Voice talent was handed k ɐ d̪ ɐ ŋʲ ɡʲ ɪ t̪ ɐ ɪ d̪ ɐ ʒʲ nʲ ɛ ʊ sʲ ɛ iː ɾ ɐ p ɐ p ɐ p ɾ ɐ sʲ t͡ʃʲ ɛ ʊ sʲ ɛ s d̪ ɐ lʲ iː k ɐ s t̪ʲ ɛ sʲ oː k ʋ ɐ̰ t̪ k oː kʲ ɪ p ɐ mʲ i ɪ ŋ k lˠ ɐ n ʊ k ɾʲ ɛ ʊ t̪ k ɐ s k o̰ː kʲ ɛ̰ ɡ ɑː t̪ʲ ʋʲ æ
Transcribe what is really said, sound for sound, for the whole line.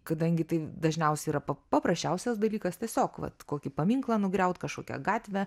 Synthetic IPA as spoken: k ɐ d̪ ɐ ŋʲ ɡʲ ɪ t̪ ɐ ɪ d̪ ɐ ʒʲ nʲ ɛ ʊ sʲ ɛ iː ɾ ɐ p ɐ p ɐ p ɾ ɐ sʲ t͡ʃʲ ɛ ʊ sʲ ɛ s d̪ ɐ lʲ iː k ɐ s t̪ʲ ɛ sʲ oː k ʋ ɐ̰ t̪ k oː kʲ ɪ p ɐ mʲ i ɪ ŋ k lˠ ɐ n ʊ ɡ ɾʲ ɛ ʊ t̪ k ɐ ʃ k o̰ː kʲ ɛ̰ ɡ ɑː t̪ʲ ʋʲ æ